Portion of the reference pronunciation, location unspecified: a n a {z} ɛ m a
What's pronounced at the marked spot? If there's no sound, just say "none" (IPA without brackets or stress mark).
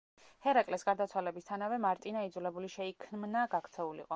v